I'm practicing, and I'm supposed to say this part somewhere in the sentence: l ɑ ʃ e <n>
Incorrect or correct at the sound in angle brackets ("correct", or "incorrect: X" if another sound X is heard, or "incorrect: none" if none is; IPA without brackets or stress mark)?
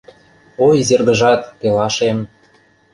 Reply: incorrect: m